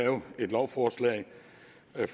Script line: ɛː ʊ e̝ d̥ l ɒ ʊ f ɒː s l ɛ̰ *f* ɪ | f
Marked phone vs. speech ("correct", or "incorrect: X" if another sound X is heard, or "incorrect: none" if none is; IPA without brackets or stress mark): incorrect: none